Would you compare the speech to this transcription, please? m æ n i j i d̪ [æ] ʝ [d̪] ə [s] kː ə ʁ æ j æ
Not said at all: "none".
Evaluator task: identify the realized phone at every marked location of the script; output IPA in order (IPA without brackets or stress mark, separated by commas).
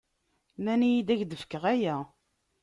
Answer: æ, d̪, f